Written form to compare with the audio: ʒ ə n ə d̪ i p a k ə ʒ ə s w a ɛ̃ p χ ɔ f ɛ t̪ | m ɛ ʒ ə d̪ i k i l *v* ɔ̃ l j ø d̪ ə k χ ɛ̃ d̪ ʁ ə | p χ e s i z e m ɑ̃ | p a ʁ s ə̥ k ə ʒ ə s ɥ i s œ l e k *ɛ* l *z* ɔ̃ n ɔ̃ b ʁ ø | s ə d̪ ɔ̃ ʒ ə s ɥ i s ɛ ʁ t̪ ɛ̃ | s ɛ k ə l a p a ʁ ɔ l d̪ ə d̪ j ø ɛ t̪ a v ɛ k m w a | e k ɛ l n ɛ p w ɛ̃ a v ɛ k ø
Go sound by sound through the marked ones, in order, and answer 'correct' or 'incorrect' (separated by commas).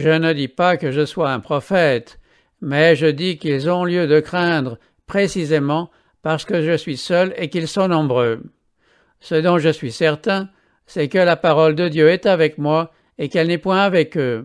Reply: incorrect, incorrect, incorrect